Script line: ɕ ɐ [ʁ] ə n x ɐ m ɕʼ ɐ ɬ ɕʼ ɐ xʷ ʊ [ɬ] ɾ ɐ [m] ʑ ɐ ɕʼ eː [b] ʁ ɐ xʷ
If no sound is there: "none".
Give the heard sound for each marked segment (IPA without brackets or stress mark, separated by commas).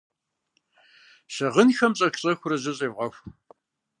ʁ, none, none, v